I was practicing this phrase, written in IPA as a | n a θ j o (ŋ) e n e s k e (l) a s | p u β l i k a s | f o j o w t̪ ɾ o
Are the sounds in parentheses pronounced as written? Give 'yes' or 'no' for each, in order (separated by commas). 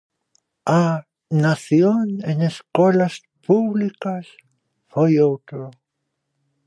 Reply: no, yes